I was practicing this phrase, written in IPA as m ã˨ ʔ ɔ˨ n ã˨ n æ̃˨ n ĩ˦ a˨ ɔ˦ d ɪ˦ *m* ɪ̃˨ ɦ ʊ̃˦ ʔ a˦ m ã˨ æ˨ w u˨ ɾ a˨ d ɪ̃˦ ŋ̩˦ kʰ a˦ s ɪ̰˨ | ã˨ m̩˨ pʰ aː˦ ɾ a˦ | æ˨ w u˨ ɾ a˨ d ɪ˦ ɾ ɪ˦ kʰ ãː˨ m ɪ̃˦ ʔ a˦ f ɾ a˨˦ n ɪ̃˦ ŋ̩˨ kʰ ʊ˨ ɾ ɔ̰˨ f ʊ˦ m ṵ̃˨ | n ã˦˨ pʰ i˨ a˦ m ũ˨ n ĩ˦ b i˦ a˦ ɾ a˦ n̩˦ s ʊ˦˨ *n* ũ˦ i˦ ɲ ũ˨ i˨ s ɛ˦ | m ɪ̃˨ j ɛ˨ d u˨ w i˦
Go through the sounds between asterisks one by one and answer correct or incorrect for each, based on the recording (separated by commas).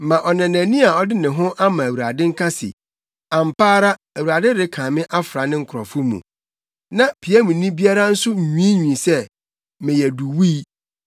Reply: incorrect, incorrect